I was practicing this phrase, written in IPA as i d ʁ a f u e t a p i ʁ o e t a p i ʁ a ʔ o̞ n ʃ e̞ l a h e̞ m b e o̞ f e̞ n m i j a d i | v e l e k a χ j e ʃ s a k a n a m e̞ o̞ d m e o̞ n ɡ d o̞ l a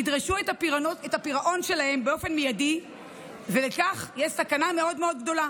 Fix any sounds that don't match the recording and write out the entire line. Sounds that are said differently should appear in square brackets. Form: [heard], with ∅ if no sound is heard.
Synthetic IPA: i d ʁ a [ʃ] u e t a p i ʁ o e t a p i ʁ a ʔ o̞ n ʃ e̞ l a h e̞ m b e o̞ f e̞ n m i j a d i | v e l e k a χ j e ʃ s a k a n a m e̞ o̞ d m e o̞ [d] ɡ d o̞ l a